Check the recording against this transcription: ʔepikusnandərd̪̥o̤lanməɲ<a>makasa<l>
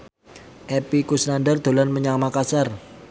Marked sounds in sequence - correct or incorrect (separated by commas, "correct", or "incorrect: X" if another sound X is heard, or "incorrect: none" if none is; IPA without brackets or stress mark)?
correct, incorrect: r